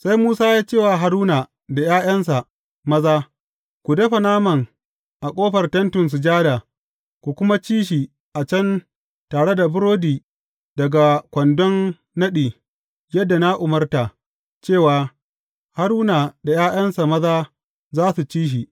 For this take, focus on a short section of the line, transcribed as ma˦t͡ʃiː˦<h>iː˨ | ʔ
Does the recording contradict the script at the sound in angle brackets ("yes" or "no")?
yes